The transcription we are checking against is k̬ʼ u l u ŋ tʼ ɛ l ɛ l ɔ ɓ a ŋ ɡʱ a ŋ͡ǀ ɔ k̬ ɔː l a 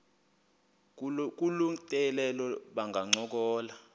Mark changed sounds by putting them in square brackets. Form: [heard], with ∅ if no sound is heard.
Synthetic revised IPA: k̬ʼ u l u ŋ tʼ ɛ l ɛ l ɔ ɓ a ŋ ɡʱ a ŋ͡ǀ ɔ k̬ ɔː l a